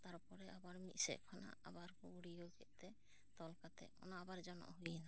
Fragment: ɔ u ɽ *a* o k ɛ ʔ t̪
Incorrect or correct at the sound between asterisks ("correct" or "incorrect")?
incorrect